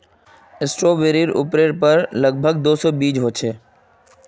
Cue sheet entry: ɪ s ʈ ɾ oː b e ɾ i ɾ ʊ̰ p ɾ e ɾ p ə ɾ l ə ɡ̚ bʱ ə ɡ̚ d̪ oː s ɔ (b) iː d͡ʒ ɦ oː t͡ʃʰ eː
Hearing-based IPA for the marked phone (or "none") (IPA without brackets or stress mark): b